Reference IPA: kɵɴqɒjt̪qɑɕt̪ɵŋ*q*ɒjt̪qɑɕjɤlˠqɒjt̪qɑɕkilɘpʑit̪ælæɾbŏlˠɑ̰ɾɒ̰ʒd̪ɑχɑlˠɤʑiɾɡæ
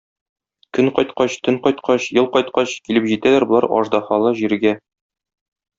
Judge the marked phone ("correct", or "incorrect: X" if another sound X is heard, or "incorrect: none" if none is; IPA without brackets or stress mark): correct